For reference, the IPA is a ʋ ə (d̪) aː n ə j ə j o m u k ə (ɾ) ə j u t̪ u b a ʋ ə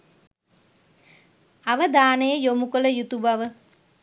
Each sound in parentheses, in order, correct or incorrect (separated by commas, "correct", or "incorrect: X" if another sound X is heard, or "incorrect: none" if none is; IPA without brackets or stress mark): correct, incorrect: l